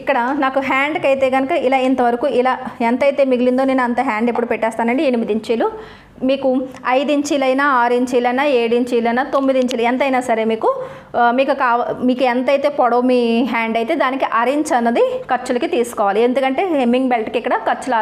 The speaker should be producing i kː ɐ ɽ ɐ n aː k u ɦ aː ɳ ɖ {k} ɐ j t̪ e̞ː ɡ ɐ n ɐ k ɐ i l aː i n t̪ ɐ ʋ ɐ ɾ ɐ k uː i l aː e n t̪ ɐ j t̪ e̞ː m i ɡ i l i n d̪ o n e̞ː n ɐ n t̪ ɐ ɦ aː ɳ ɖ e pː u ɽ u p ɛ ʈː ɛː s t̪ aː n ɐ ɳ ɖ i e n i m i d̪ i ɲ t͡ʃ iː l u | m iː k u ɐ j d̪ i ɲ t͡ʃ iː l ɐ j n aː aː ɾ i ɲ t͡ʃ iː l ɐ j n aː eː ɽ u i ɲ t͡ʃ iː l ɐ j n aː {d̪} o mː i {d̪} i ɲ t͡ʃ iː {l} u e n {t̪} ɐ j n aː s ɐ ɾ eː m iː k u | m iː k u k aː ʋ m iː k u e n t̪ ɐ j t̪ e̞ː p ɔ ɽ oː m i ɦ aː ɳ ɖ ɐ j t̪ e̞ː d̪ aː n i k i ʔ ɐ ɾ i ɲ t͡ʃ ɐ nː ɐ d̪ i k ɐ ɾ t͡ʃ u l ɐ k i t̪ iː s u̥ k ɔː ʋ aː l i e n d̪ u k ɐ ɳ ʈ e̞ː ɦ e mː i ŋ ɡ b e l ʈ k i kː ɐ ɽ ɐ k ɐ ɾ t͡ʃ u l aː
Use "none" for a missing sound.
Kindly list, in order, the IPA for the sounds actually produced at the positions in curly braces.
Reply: k, t̪, d̪, l, t̪

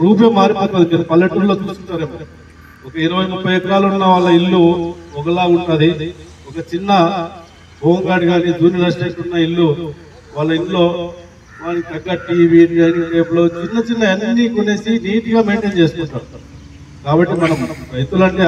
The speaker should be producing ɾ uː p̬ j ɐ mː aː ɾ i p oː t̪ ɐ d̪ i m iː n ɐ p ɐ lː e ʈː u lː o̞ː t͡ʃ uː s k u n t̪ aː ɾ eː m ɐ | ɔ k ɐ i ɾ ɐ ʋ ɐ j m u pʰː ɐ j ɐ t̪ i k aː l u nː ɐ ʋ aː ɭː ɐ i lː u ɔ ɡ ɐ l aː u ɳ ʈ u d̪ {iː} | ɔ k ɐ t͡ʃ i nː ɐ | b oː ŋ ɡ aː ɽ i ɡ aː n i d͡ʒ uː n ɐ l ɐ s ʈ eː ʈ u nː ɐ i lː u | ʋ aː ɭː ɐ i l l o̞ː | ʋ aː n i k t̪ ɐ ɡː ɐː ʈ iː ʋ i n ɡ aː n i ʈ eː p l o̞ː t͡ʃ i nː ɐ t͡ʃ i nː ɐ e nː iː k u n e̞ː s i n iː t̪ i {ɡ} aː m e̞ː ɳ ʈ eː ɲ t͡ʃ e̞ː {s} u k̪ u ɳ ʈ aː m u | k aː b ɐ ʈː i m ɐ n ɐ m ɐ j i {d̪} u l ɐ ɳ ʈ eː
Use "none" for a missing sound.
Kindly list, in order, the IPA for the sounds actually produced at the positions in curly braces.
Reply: i, ɡ, s, t̪

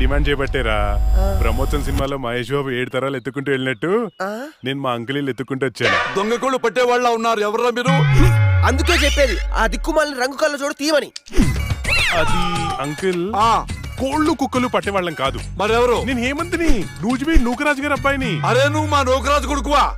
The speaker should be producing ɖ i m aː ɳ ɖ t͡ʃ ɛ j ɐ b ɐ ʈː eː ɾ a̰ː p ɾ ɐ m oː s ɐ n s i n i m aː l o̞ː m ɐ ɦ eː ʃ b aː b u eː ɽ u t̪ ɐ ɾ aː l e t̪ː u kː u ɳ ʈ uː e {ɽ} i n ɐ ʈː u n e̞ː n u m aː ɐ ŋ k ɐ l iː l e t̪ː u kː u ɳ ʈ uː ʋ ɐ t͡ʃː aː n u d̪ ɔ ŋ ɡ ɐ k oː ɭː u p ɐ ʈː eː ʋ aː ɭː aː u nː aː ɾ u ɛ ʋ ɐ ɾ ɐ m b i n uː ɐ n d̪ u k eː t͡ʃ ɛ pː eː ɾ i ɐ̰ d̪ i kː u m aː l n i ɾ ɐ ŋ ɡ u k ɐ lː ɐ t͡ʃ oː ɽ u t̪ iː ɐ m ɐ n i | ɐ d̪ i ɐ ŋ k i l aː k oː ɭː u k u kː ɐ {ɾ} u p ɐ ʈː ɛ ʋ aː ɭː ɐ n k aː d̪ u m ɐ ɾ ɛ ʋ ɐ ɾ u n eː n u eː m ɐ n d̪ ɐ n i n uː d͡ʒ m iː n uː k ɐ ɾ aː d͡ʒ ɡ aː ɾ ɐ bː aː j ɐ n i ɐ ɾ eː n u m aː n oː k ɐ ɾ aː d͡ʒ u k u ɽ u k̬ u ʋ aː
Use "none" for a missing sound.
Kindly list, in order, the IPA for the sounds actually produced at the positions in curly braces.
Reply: ɭ, l

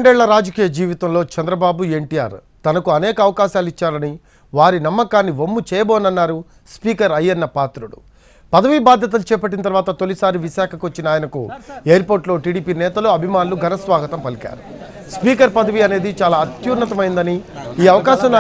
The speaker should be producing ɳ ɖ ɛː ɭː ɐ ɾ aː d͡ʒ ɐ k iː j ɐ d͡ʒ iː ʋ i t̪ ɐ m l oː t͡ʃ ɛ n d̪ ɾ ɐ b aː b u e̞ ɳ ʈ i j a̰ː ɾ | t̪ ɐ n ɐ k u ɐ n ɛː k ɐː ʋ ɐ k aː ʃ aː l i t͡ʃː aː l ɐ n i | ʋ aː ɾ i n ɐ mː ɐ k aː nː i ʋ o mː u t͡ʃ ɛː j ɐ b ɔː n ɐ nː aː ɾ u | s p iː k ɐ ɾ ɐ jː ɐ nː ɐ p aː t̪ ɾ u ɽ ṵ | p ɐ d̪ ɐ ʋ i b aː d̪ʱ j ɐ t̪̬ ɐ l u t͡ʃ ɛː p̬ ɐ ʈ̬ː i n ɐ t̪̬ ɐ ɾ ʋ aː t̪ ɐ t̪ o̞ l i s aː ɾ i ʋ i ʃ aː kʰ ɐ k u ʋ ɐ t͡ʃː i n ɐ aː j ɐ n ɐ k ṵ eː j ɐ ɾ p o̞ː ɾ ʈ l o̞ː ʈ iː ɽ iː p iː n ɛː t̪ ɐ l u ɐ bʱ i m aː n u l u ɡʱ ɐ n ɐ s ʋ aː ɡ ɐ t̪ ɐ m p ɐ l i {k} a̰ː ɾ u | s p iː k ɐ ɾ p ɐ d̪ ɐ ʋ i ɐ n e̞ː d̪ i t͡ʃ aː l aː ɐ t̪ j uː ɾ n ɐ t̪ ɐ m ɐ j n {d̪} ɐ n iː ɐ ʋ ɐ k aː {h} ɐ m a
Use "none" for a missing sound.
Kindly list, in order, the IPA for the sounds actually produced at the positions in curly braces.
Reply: k, d̪, ʃ

